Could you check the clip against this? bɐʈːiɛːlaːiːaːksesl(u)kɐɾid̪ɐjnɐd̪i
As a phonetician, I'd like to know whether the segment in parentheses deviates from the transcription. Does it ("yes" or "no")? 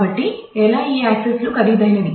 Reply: no